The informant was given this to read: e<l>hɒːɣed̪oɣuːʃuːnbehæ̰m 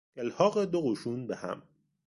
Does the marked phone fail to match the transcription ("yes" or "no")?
no